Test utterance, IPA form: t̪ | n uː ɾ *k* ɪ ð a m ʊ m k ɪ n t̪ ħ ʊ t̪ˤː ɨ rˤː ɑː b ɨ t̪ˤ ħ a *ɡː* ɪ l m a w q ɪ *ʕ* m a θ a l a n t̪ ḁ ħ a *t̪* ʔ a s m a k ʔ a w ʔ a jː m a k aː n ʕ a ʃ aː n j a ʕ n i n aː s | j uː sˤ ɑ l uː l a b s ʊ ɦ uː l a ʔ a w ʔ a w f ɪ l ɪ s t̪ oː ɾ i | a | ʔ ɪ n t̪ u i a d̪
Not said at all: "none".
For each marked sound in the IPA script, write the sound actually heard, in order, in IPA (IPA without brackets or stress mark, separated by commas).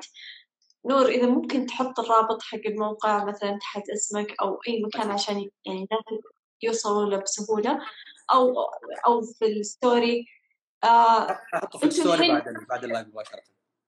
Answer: ʔ, ɡː, ʕ, t̪